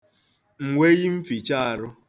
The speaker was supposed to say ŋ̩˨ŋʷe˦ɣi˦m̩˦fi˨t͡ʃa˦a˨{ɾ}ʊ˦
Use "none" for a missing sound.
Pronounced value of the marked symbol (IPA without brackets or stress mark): ɾ